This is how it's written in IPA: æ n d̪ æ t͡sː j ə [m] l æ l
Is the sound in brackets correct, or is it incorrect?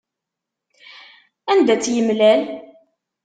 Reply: correct